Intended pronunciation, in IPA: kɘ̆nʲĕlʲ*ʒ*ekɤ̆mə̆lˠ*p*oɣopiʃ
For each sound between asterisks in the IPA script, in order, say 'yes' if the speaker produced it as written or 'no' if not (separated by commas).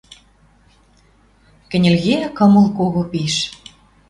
no, no